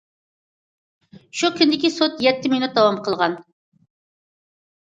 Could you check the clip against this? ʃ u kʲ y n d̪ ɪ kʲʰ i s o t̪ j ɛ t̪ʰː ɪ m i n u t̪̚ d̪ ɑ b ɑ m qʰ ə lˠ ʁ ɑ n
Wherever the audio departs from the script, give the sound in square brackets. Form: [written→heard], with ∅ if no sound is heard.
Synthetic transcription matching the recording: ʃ u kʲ y n d̪ ɪ [kʲʰ→kʲ] i s o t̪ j ɛ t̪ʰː ɪ m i n u t̪̚ d̪ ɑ [b→w] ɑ m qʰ ə lˠ ʁ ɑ n